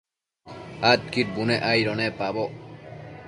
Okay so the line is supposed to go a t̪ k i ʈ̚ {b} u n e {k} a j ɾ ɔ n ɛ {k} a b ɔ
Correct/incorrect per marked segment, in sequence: correct, incorrect, incorrect

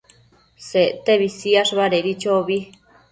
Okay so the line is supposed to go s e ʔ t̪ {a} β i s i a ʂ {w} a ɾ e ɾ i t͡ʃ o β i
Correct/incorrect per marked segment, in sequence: incorrect, incorrect

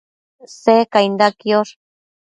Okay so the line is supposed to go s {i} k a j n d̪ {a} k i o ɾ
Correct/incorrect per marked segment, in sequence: incorrect, correct

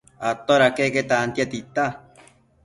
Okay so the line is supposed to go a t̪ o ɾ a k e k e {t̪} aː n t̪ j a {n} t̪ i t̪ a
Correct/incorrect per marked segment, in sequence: correct, incorrect

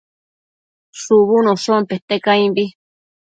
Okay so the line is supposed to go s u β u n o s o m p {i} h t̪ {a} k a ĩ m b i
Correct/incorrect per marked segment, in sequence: incorrect, incorrect

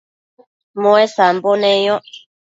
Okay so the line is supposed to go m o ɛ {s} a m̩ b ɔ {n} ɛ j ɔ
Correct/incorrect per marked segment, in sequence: correct, correct

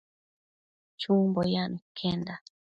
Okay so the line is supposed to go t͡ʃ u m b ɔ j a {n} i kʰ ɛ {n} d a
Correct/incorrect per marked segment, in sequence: correct, correct

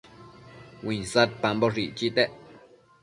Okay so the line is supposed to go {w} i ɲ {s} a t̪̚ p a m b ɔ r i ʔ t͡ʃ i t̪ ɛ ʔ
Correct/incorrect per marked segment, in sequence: correct, correct

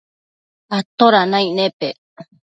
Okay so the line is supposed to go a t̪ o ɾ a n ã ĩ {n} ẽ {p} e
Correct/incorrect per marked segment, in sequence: correct, correct

